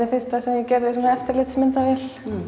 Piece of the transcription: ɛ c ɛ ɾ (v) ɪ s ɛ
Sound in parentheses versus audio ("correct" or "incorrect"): incorrect